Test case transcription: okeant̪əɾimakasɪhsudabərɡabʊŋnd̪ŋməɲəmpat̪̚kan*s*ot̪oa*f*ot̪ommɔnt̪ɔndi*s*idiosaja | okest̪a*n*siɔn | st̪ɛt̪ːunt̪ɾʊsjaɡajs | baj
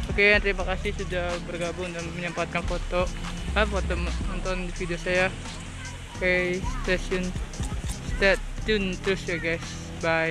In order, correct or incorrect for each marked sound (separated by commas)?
incorrect, correct, incorrect, incorrect